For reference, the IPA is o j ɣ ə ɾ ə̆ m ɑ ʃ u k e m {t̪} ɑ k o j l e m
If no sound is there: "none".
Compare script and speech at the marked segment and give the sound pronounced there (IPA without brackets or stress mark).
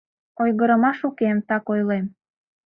t̪